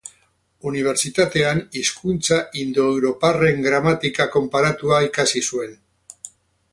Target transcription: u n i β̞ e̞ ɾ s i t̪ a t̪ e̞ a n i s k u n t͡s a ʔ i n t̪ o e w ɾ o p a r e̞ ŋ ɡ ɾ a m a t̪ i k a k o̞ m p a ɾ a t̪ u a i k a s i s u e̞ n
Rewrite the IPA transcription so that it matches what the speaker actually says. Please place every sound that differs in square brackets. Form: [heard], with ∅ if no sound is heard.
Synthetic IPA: u n i β̞ e̞ ɾ s i t̪ a t̪ e̞ a n i s k u n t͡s a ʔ i n [d̪] o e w ɾ o p a r e̞ ŋ ɡ ɾ a m a t̪ i k a k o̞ m p a ɾ a t̪ u a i k a s i s u e̞ n